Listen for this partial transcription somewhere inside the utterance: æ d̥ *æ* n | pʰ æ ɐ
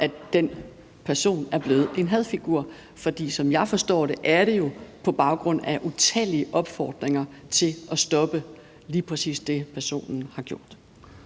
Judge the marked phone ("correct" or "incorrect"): incorrect